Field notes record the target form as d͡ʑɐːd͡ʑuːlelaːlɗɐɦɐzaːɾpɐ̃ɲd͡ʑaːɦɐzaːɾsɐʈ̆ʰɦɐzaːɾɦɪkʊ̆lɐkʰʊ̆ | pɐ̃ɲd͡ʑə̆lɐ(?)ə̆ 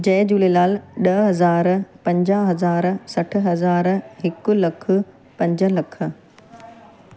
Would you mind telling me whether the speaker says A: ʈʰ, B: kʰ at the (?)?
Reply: B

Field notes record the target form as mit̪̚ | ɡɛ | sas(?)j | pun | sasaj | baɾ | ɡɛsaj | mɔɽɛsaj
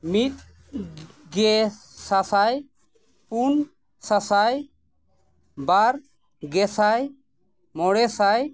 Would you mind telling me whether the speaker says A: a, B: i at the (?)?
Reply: A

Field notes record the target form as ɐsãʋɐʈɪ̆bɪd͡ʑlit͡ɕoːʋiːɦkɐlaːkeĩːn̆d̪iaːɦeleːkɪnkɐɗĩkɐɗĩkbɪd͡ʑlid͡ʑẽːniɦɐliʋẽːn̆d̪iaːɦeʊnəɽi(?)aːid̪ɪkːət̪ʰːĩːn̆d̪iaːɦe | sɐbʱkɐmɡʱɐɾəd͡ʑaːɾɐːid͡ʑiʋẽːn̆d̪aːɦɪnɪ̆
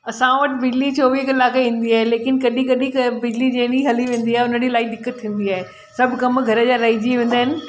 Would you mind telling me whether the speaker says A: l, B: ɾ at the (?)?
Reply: A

